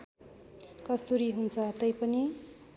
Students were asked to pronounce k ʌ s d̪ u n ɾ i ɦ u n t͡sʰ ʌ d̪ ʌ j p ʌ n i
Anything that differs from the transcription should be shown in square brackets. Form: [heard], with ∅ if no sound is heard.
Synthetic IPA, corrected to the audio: k ʌ s [t̪] u [∅] ɾ i ɦ u n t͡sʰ ʌ [t̪] ʌ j p ʌ n i